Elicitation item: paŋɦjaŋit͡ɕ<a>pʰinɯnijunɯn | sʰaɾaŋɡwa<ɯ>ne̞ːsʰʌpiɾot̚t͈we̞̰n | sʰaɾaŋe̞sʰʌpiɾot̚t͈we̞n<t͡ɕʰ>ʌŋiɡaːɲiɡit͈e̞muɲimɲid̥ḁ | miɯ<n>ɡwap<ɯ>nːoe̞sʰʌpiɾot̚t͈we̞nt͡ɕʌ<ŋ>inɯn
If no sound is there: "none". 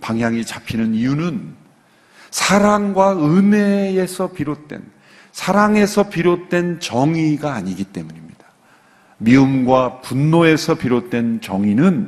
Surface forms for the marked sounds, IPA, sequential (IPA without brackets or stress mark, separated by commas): a, ɯ, t͡ɕ, m, u, ŋ